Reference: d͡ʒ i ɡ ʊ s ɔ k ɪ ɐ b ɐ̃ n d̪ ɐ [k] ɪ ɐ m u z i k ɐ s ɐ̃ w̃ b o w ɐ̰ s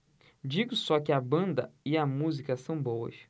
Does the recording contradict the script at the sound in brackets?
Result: yes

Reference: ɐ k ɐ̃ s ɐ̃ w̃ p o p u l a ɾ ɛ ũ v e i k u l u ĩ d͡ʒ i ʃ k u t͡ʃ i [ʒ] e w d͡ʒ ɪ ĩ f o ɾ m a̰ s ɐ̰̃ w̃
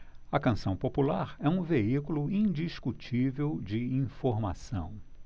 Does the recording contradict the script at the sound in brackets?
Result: yes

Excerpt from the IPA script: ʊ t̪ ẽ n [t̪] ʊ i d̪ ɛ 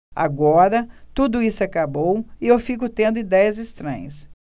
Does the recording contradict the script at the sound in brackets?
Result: yes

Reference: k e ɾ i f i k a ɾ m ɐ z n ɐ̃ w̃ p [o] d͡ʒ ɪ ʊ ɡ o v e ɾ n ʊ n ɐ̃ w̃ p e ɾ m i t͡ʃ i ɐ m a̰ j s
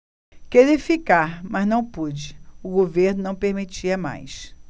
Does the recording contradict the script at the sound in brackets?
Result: yes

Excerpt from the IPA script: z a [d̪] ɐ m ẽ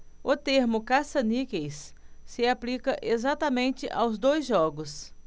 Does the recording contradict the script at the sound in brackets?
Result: yes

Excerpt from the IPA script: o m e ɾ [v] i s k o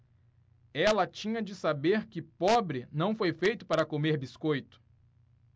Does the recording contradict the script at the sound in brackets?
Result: yes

